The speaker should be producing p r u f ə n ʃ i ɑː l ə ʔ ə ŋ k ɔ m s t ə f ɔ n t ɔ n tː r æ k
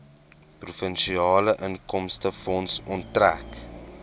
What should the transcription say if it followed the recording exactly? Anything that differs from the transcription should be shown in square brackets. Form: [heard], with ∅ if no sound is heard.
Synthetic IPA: p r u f ə n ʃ i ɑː l ə ʔ ə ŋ k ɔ m s t ə f ɔ n [s] ɔ n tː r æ k